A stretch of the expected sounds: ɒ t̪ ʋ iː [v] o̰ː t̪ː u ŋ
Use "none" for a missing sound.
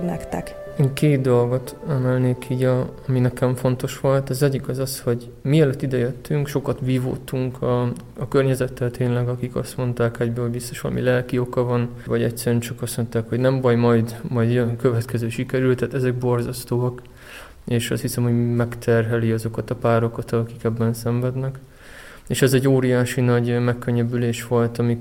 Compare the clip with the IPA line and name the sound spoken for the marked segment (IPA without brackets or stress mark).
v